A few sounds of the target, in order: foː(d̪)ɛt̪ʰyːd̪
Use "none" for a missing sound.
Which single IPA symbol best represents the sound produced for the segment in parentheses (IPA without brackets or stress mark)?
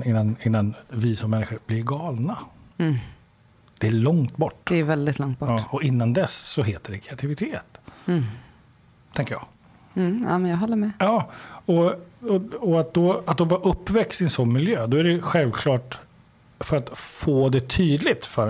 d̪